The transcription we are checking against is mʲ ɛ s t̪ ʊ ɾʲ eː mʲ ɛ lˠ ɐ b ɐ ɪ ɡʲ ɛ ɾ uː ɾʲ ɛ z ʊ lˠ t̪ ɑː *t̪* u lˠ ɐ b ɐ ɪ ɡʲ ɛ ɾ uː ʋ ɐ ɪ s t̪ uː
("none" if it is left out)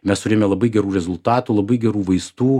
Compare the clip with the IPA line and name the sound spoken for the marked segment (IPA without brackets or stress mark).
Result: t̪